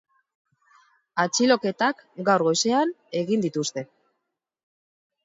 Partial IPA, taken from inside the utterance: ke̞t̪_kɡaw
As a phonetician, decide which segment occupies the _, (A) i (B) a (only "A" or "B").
B